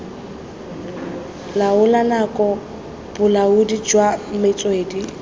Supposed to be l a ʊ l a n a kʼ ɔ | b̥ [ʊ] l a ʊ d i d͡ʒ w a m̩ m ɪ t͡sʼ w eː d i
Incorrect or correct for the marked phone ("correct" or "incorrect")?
correct